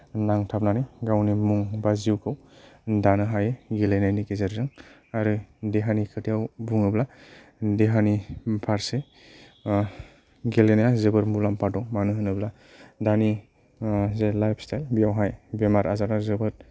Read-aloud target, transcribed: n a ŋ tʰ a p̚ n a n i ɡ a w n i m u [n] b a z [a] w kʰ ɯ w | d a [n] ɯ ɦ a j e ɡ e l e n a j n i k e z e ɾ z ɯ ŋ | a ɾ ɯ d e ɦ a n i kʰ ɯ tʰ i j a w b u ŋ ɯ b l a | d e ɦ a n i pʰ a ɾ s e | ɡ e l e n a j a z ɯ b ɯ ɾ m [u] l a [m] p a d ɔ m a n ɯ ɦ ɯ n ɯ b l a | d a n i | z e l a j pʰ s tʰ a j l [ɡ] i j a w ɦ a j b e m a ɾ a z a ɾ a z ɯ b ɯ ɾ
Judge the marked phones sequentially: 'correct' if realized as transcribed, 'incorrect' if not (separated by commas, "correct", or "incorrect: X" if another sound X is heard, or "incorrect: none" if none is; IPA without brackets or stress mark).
incorrect: ŋ, incorrect: i, correct, correct, correct, incorrect: b